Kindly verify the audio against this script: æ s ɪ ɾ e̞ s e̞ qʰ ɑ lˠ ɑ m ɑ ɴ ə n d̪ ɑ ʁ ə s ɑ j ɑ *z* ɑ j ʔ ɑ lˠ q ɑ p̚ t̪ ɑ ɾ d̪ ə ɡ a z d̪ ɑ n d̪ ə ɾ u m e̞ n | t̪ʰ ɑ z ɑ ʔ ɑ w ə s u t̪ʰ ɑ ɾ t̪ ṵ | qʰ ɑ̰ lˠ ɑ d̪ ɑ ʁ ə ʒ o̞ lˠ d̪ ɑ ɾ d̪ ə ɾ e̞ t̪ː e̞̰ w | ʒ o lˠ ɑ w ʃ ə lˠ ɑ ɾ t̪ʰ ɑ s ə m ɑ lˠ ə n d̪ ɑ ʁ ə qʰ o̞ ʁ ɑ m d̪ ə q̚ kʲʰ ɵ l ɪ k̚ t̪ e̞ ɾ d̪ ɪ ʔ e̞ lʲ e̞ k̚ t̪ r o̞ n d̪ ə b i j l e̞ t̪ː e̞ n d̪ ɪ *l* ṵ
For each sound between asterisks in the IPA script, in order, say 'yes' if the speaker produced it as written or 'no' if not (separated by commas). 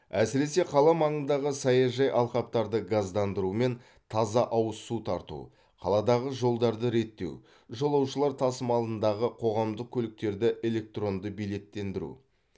no, no